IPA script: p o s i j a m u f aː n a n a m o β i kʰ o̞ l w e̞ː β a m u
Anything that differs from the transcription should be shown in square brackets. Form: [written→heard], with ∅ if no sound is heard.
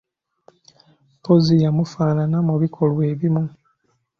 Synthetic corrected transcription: p o [s→z] i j a m u f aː n a n a m [o→u] β i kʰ o̞ l w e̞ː β [a→i] m u